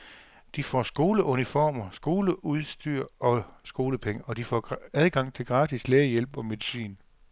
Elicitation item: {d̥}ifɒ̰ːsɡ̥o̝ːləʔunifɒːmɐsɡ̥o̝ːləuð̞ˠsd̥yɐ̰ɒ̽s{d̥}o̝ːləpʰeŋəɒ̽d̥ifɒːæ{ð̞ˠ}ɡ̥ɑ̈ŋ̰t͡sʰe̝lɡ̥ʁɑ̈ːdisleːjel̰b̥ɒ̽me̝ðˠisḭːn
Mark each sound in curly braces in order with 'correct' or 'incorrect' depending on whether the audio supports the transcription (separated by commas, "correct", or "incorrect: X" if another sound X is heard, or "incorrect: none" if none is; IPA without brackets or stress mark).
correct, incorrect: ɡ̥, correct